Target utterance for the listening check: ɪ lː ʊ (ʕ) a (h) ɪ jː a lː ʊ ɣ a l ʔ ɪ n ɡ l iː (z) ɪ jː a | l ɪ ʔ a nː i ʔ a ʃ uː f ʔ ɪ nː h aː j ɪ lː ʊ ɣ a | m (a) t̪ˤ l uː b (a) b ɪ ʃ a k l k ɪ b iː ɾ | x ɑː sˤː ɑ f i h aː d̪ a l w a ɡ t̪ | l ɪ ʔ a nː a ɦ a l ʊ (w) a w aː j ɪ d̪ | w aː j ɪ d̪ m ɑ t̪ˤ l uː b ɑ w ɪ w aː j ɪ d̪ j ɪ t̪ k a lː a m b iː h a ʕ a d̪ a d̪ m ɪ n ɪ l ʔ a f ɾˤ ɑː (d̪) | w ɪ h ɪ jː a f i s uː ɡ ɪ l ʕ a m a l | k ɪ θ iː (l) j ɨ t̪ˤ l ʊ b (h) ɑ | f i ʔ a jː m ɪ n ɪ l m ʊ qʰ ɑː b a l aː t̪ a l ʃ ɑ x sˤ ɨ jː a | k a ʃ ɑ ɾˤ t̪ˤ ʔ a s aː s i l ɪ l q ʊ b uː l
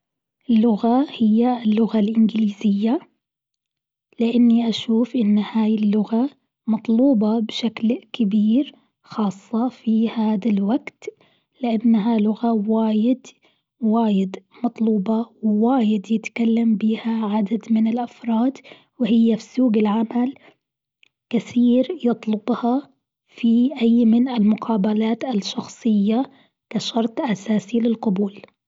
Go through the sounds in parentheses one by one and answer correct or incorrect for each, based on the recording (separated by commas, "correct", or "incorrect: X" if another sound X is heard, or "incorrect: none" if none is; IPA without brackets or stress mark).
incorrect: ɣ, correct, correct, incorrect: ɑ, incorrect: ɑ, incorrect: ɣ, correct, incorrect: ɾ, correct